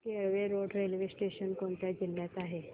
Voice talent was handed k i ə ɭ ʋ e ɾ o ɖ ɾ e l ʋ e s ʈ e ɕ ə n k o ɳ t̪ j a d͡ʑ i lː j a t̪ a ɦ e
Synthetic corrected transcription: k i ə ɭ ʋ e ɾ o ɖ ɾ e l ʋ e s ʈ e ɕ ə n k o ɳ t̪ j a d͡ʑ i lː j a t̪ a ɦ e